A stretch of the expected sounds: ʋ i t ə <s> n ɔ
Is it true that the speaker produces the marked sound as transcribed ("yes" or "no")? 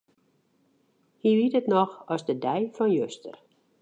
no